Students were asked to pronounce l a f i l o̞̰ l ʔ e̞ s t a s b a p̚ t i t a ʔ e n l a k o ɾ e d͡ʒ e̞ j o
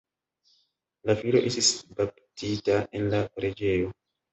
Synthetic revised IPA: l a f i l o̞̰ ʔ e̞ s t i s b a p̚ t i t a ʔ e n l a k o ɾ e d͡ʒ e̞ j o